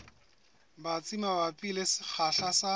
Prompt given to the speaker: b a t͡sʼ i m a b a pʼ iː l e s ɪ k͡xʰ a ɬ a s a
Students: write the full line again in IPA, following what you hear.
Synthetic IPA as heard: b a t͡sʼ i m a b a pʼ i l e s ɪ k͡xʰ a ɬ a s a

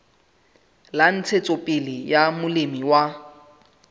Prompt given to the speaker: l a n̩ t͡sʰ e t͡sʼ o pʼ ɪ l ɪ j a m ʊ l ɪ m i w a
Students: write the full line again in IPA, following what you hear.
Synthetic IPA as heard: l a n̩ t͡sʰ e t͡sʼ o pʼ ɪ l ɪ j a m ʊ l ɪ m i w a

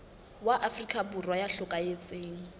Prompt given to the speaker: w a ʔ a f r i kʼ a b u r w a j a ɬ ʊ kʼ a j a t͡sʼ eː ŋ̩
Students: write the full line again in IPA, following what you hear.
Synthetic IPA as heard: w a ʔ a f r i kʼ a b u r w a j a ɬ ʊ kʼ a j e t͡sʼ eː ŋ̩

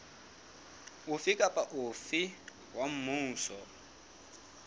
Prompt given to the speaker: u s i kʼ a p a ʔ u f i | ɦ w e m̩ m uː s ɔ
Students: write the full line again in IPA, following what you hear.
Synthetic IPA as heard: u f i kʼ a p a ʔ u f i | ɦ w a m̩ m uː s ɔ

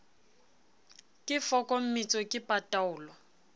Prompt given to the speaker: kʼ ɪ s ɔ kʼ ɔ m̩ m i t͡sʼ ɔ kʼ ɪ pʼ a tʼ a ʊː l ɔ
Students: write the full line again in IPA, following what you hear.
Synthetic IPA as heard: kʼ ɪ f ɔ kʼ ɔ m̩ m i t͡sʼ ɔ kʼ ɪ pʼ a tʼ a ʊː l ɔ

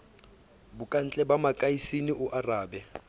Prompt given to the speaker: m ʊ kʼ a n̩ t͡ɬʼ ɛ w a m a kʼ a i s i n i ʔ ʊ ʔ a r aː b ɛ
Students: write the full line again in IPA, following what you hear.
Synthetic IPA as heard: b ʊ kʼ a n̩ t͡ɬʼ ɛ b a m a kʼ a i s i n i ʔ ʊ ʔ a r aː b ɛ

